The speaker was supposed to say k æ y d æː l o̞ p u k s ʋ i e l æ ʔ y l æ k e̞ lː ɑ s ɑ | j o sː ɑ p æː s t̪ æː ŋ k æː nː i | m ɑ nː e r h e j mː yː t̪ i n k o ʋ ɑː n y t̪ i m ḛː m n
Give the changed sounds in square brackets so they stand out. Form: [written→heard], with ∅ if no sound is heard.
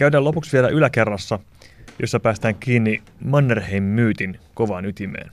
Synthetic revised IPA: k æ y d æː l o̞ p u k s ʋ i e l æ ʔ y l æ k e̞ [lː→rː] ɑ [s→sː] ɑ | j o sː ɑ p æː s t̪ æː ŋ k [æː→iː] nː i | m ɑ nː e r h e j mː yː t̪ i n k o ʋ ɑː n y t̪ i m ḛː [m→∅] n